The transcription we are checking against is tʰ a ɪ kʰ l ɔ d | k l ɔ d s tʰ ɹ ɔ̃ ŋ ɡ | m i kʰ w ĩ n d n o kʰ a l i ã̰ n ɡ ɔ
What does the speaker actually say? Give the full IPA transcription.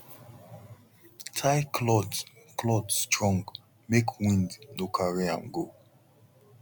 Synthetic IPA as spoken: tʰ a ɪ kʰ l ɔ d | k l ɔ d s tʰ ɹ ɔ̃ ŋ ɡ | m e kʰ w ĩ n d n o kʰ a ɹ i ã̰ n ɡ o

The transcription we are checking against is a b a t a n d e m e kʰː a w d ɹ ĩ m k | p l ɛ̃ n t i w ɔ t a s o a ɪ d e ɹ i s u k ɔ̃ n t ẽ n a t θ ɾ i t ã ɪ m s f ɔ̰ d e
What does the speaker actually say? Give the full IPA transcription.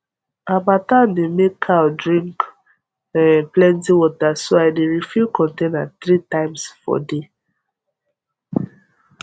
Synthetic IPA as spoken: a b a t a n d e m e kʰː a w d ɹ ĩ ŋ k | p l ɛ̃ n t i w ɔ t a s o a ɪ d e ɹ i f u k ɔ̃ n t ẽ n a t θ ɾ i t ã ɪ m s f ɔ̰ d e

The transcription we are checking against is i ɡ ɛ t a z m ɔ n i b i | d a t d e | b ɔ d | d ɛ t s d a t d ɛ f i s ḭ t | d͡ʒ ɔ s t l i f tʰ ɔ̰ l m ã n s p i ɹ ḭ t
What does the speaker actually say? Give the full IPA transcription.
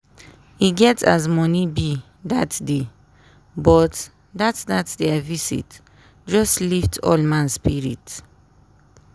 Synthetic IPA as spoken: i ɡ ɛ t a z m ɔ n i b i | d a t d e | b ɔ t | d a t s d a t d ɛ v i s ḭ t | d͡ʒ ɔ s t l i f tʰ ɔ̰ l m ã n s p i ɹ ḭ t

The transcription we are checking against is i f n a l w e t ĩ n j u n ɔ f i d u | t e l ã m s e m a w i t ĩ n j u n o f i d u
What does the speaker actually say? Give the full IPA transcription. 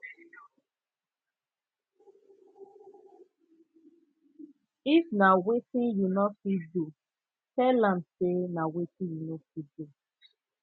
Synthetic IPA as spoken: i f n a w e t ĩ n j u n ɔ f i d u | t ɛ l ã m s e n a w e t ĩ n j u n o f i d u

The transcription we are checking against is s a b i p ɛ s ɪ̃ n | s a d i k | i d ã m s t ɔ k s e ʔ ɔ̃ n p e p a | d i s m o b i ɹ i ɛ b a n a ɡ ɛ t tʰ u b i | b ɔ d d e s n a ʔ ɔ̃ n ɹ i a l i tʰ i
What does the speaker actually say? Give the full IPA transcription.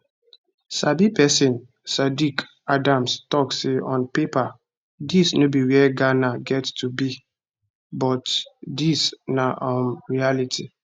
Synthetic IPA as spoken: s a b i p ɛ s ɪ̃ n | s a d i k | a d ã m s t ɔ k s e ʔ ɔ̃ n p e p a | d i s n o b i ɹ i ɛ ɡ a n a ɡ ɛ t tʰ u b i | b ɔ t d i s n a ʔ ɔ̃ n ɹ i a l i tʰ i

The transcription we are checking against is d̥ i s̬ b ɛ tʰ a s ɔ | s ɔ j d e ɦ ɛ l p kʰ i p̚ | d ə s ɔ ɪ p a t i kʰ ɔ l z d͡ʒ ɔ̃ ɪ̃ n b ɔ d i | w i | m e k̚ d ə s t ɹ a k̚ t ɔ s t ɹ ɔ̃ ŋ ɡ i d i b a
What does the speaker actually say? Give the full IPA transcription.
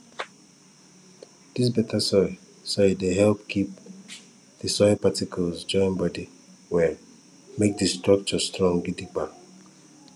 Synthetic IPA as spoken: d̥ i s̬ b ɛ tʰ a s ɔ | s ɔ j d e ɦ ɛ l p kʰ i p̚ | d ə s ɔ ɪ p a t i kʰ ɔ l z d͡ʒ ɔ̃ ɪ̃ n b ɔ d i | w ɛ | m e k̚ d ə s t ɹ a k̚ t͡ʃ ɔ s t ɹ ɔ̃ ŋ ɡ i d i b a

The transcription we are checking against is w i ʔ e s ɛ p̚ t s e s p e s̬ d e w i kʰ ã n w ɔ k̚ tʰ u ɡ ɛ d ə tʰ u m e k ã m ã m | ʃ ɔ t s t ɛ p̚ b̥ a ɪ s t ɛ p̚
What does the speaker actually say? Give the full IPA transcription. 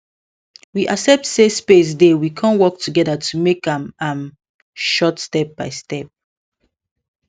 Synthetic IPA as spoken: w i ʔ a s ɛ p̚ t s e s p e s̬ d e w i kʰ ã n w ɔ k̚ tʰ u ɡ ɛ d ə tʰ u m e k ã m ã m | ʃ ɔ t s t ɛ p̚ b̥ a ɪ s t ɛ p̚

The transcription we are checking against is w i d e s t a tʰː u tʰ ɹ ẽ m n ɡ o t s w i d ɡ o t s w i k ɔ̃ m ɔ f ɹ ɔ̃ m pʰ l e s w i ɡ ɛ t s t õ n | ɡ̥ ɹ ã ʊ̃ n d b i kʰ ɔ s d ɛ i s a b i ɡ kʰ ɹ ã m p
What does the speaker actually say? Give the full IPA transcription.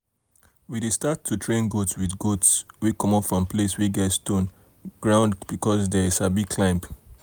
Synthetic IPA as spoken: w i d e s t a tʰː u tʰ ɹ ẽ n ɡ o t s w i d ɡ o t s w i k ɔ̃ m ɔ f ɹ ɔ̃ m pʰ l e s w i ɡ ɛ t s t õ n | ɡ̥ ɹ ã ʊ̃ n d b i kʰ ɔ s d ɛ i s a b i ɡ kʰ l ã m p

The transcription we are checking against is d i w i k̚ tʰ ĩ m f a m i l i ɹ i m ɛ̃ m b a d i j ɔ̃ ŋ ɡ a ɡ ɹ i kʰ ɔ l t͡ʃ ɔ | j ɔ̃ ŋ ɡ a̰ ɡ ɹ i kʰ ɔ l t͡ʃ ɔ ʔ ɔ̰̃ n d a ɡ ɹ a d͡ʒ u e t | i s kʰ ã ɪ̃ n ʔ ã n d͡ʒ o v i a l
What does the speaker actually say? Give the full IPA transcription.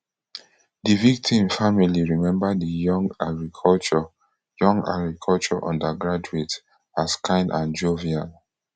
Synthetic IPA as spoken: d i v i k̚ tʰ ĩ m f a m i l i ɹ i m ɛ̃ m b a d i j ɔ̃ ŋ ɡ a ɡ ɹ i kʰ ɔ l t͡ʃ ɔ | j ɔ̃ ŋ ɡ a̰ ɡ ɹ i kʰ ɔ l t͡ʃ ɔ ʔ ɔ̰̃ n d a ɡ ɹ a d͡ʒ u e t | a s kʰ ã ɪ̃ n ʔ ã n d͡ʒ o v i a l

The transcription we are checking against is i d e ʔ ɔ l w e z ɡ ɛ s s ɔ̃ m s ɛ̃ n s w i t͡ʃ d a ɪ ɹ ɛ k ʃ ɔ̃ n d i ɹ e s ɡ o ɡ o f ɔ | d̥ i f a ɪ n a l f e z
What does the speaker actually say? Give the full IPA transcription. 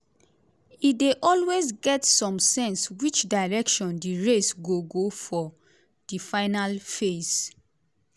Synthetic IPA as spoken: i d e ʔ ɔ l w e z ɡ ɛ t s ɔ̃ m s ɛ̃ n s w i t͡ʃ d a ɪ ɹ ɛ k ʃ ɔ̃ n d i ɹ e s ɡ o ɡ o f ɔ | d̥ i f a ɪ n a l f e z

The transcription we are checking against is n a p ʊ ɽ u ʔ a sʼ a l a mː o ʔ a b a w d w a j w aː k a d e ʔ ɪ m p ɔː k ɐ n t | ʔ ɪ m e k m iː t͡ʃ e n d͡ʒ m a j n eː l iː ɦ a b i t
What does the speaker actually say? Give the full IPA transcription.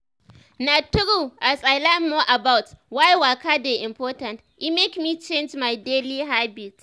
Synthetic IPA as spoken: n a t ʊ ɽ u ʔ a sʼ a l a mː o ʔ a b a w t w a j w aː k a d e ʔ ɪ m p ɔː t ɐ n t | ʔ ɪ m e k m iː t͡ʃ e n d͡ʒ m a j d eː l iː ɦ a b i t

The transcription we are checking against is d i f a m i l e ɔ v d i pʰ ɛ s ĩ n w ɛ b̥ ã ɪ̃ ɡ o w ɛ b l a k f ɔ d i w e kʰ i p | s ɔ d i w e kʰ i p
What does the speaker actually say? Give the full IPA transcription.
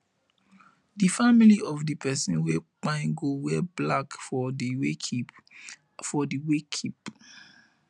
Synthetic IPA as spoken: d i f a m i l i ɔ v d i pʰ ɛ s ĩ n w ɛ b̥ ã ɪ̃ ɡ o w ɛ b l a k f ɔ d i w e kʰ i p | f ɔ d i w e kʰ i p

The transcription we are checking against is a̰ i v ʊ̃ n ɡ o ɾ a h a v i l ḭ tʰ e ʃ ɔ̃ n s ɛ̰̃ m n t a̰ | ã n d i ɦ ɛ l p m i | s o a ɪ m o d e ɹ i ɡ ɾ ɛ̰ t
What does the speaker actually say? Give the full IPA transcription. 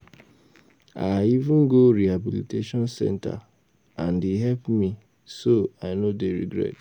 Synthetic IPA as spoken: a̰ i v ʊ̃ n ɡ o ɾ i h a b i l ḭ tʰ e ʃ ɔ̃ n s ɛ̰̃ n t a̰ | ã n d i ɦ ɛ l p m i | s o a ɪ n o d e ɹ i ɡ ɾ ɛ̰ t

